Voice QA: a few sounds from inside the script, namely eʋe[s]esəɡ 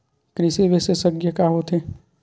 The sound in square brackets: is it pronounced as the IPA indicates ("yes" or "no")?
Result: yes